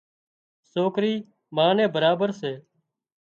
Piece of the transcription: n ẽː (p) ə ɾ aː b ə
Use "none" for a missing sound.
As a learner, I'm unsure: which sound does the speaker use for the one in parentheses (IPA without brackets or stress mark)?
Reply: b